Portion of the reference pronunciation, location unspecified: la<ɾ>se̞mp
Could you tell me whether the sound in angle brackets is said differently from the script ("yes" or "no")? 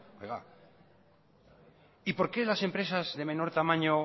yes